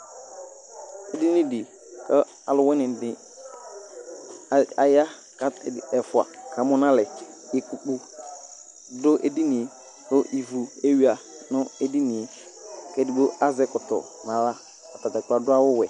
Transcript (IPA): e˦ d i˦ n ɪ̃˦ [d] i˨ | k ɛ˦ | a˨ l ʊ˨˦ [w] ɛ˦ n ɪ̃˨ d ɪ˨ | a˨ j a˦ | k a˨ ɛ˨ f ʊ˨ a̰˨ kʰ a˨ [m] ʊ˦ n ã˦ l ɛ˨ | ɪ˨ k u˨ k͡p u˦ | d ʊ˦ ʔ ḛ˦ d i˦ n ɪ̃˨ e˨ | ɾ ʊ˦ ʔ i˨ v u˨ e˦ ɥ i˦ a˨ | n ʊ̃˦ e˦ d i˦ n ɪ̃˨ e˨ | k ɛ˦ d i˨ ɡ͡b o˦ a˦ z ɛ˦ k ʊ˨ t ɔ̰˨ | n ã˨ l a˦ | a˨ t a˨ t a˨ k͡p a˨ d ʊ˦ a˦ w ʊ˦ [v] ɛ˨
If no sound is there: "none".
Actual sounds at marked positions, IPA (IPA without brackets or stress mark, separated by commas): d, w, m, w